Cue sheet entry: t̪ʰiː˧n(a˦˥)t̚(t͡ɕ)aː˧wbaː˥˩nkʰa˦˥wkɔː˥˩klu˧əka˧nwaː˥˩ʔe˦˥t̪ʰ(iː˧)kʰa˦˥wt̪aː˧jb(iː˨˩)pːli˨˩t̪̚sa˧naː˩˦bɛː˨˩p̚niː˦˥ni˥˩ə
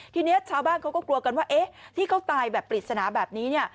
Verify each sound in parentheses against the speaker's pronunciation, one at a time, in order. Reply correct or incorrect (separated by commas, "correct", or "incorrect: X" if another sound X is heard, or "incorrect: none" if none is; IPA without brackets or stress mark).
incorrect: i˦˥, incorrect: t͡ɕʰ, incorrect: iː˥˩, incorrect: ɛː˨˩